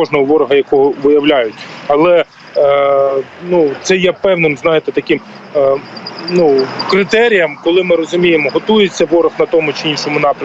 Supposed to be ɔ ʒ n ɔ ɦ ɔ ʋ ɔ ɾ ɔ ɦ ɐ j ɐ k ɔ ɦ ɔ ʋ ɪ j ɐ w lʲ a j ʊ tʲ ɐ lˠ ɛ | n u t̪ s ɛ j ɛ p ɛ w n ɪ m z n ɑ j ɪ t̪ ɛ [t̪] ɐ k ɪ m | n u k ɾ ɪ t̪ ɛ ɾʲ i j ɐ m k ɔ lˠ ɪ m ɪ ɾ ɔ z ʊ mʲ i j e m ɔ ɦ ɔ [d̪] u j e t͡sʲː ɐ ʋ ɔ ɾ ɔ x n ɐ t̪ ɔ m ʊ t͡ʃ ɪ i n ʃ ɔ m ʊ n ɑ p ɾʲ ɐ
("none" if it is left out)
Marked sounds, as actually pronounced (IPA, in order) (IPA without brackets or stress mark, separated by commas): t̪, t̪